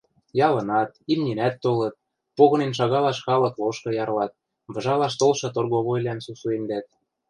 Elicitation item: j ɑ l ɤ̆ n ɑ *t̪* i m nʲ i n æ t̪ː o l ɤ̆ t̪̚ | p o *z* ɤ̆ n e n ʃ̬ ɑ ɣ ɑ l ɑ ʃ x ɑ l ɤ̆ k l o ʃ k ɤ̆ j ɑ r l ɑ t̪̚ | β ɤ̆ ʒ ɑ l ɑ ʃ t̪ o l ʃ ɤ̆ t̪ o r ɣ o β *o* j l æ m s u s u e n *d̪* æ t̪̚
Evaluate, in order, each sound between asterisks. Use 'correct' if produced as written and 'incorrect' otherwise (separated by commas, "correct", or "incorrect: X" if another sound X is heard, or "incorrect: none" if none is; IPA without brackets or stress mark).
correct, incorrect: ɣ, correct, correct